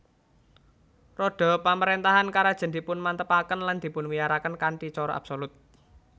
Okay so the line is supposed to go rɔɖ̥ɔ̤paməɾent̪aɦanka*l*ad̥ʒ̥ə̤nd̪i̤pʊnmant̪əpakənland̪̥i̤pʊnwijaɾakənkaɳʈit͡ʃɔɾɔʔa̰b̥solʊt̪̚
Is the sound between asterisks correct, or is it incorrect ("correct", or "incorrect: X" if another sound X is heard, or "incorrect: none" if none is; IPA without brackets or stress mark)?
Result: incorrect: ɾ